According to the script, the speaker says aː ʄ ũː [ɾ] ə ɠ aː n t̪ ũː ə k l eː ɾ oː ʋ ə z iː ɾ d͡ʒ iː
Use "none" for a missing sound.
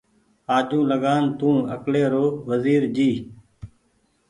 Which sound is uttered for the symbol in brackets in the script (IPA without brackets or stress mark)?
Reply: l